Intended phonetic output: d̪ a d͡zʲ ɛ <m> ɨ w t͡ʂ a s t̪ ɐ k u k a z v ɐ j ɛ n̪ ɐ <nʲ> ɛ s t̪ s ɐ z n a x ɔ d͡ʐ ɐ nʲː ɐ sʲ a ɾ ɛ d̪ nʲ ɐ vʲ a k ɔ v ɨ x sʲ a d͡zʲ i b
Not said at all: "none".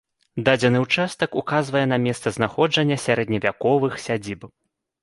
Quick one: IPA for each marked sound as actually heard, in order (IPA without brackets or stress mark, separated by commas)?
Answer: n, mʲ